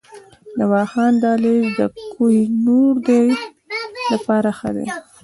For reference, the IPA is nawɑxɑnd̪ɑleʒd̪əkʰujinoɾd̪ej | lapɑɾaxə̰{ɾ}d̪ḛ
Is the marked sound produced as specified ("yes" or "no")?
no